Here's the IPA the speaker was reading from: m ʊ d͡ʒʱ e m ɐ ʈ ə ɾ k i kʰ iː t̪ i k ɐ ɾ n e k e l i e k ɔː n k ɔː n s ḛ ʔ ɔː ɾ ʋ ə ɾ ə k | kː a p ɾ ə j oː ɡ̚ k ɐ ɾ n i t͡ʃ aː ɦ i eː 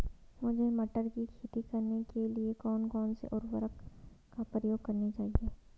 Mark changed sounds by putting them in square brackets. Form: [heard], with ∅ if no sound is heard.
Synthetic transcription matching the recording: m ʊ d͡ʒʱ e m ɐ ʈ ə ɾ k i kʰ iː t̪ i k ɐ ɾ n e k e l i e k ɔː n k ɔː n s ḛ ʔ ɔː ɾ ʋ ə ɾ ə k | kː a p ɾ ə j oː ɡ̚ k ɐ ɾ n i t͡ʃ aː ɦ i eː